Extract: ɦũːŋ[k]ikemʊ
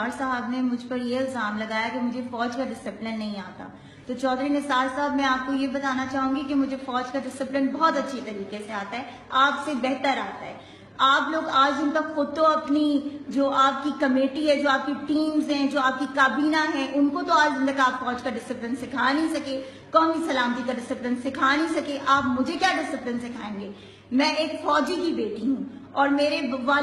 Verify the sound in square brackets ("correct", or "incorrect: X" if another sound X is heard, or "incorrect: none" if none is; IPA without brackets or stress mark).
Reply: incorrect: ɡ